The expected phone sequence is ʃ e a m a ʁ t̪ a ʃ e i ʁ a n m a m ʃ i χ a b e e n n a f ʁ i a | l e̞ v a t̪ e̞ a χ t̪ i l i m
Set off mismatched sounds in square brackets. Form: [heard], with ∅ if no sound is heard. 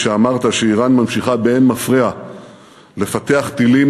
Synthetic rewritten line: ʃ e a m a ʁ t̪ a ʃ e i ʁ a n m a m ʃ i χ a b e e n [m] a f ʁ i a | l e̞ [f] a t̪ e̞ a χ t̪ i l i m